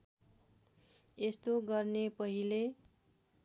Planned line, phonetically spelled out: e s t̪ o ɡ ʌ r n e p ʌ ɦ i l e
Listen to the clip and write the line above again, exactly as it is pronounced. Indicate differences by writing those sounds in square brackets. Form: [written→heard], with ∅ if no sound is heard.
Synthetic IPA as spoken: e s t̪ o ɡ ʌ r n e p ʌ ɦ i l e